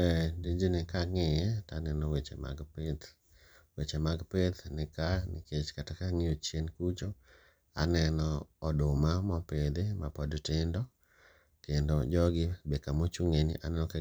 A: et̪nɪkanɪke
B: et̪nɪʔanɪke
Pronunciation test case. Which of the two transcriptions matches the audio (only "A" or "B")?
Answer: A